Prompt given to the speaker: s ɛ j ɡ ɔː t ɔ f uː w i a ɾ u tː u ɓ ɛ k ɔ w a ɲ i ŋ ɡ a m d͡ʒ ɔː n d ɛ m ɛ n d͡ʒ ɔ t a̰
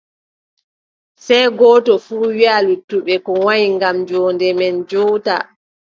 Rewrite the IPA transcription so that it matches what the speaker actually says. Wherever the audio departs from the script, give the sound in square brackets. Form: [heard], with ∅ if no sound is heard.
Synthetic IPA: s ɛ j ɡ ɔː t ɔ f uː w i a [l] u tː u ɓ ɛ k ɔ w a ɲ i ŋ ɡ a m d͡ʒ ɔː n d ɛ m ɛ n d͡ʒ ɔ t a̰